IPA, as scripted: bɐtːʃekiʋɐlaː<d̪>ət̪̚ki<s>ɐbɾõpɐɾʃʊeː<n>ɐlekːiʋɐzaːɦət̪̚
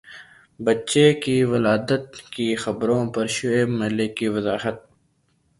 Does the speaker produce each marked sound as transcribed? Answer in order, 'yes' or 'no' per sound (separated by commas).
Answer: yes, no, no